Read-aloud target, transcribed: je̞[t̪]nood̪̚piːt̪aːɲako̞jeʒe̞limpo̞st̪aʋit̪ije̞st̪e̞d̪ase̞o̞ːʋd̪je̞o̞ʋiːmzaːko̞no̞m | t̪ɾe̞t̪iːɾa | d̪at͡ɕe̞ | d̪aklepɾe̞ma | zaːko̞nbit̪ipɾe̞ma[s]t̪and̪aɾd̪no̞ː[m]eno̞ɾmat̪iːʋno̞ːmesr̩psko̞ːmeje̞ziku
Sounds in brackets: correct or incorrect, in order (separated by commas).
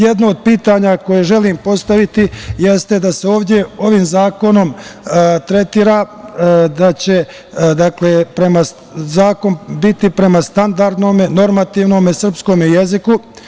incorrect, correct, correct